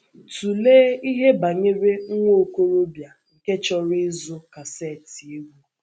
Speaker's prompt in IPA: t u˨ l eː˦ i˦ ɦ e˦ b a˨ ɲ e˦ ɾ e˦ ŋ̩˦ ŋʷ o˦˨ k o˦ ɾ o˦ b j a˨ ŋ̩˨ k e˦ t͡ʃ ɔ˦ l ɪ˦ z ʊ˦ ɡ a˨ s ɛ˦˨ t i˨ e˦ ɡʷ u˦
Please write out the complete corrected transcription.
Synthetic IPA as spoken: t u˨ l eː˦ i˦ ɦ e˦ b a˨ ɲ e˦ ɾ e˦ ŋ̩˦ ŋʷ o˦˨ k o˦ ɾ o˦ b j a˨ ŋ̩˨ k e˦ t͡ʃ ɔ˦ ɾ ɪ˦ z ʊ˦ k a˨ s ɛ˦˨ t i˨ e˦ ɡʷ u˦